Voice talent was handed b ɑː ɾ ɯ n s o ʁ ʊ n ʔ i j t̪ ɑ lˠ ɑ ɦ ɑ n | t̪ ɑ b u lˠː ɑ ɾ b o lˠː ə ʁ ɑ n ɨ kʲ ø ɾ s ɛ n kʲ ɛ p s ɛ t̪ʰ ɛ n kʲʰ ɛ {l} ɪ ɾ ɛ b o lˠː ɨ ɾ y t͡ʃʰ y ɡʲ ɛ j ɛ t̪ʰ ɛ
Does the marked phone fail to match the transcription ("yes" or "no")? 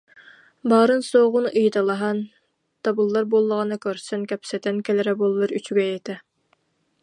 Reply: no